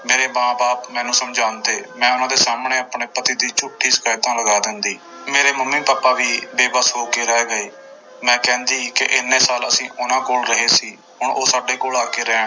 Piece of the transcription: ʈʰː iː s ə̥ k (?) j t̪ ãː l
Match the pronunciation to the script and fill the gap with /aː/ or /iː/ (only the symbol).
aː